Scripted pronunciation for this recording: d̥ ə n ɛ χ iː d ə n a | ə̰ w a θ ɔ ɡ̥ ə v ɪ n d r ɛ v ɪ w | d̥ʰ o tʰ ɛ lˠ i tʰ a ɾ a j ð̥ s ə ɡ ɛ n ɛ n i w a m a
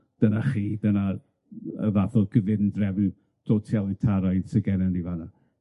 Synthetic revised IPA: d̥ ə n a χ iː d ə n a | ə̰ v a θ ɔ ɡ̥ ə v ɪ n d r ɛ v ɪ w | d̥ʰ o tʰ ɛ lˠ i tʰ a ɾ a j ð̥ s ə ɡ ɛ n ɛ n i v a n a